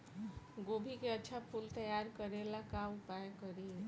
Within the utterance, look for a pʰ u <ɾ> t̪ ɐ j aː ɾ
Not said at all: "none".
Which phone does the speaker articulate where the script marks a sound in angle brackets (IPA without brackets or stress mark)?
l